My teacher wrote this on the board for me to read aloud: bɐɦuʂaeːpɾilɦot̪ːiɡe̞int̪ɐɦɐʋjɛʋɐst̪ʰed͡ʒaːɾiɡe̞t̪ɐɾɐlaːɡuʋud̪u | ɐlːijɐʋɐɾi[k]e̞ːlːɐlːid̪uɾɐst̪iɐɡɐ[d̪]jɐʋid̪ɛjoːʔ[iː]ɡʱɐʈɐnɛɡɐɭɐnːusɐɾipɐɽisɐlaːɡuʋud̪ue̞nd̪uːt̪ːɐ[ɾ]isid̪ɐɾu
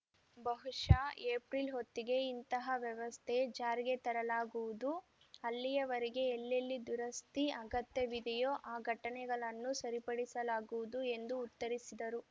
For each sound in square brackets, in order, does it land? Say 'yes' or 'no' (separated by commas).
no, no, no, yes